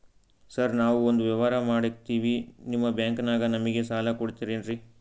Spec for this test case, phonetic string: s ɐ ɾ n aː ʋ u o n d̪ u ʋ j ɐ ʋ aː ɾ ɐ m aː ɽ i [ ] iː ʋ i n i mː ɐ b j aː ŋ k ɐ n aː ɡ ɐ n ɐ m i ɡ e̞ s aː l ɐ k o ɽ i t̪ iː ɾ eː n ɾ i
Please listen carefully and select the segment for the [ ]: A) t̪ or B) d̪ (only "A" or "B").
A